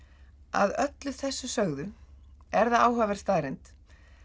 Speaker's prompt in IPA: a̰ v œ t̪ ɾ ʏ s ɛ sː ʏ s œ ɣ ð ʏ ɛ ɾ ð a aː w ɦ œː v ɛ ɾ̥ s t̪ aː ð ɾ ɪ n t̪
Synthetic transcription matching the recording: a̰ ð œ t̪ l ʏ θ ɛ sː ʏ s œ ɣ ð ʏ ɛ ɾ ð a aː w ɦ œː v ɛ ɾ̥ s t̪ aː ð ɾ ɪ n t̪